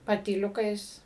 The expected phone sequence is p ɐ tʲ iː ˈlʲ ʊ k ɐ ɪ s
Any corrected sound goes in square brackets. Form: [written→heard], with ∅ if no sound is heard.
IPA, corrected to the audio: p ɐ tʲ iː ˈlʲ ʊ k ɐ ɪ s